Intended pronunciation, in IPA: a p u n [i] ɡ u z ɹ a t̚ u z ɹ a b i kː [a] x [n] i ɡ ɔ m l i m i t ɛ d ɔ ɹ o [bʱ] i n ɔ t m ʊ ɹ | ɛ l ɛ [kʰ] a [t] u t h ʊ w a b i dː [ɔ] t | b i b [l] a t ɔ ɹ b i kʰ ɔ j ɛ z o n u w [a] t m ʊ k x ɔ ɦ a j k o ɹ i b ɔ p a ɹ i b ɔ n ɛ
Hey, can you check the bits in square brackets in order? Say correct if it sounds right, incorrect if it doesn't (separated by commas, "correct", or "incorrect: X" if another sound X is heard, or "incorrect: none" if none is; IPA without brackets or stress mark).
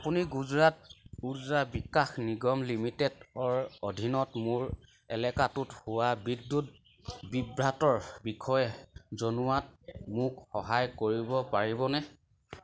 correct, correct, correct, incorrect: dʱ, incorrect: k, correct, incorrect: u, incorrect: ɹ, correct